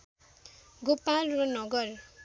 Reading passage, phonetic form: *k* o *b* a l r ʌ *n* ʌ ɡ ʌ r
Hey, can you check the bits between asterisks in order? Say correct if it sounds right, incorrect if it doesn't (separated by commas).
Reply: incorrect, incorrect, correct